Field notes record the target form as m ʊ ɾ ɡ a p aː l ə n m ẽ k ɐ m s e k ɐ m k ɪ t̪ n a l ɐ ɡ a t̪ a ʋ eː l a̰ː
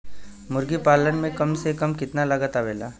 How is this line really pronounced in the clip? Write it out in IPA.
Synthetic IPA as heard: m ʊ ɾ ɡ i p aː l ə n m ẽ k ɐ m s e k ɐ m k ɪ t̪ n a l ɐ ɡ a t̪ a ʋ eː l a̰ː